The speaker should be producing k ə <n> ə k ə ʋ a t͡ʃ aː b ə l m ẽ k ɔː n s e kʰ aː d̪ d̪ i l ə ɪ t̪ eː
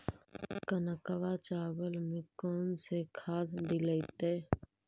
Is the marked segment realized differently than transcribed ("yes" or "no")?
no